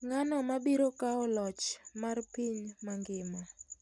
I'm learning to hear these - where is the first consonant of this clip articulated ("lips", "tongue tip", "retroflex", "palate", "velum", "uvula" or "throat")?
velum